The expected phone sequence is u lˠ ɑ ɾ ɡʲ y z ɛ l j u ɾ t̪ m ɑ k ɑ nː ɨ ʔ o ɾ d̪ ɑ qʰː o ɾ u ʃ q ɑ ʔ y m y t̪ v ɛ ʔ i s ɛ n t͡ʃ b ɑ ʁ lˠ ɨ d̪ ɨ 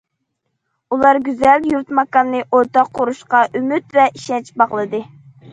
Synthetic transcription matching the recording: u lˠ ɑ ɾ ɡʲ y z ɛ l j u ɾ t̪ m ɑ k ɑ nː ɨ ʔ o ɾ t̪ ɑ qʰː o ɾ u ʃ q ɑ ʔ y m y t̪ v ɛ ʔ i ʃ ɛ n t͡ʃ b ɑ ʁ lˠ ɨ d̪ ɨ